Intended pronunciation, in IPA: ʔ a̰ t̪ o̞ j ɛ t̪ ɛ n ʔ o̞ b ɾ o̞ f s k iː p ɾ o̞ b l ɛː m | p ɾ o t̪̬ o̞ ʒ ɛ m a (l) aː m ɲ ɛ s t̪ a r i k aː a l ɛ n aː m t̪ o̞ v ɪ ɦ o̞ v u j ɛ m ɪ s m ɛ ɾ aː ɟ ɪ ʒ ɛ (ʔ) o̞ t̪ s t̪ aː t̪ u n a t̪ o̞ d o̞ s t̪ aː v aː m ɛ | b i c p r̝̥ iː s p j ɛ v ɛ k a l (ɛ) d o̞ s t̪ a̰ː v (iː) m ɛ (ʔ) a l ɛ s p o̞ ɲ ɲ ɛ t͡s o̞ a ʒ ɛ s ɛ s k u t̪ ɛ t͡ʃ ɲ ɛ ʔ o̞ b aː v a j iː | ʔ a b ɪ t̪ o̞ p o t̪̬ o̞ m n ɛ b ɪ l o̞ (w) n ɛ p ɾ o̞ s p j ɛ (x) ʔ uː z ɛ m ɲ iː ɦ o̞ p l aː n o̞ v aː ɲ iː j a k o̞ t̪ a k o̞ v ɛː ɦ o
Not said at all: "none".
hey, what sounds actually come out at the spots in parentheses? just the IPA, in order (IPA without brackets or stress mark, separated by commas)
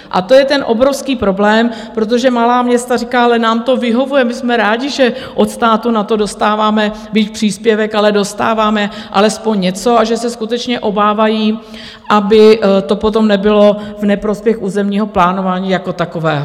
l, ʔ, ɛ, aː, ʔ, v, x